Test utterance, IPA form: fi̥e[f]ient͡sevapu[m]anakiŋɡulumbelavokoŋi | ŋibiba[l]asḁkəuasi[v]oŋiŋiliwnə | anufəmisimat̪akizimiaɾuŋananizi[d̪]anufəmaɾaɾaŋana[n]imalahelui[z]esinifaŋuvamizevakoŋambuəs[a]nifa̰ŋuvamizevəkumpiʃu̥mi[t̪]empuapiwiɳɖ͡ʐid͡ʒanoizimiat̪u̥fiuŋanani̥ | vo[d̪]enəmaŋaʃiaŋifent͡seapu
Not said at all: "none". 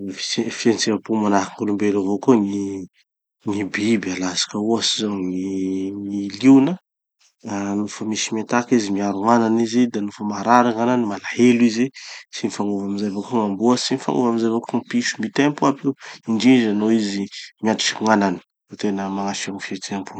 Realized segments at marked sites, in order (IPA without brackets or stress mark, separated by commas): f, m, l, z, d̪, n, z, i, t̪, t̪